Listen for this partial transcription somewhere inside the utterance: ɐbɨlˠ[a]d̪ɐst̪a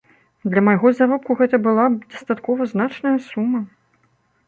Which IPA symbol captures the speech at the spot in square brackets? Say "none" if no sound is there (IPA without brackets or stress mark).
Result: a